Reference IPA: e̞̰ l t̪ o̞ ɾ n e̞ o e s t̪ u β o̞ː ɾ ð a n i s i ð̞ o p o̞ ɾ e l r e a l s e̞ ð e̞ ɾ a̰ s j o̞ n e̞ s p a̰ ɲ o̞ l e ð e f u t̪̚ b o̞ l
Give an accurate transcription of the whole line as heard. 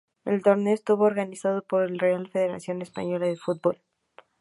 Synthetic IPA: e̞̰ l t̪ o̞ ɾ n e̞ o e s t̪ u β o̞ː ɾ ɣ a n i s a ð̞ o p o̞ ɾ e l r e a l f e̞ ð e̞ ɾ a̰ s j o̞ n e̞ s p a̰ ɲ o̞ l a ð e f u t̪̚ b o̞ l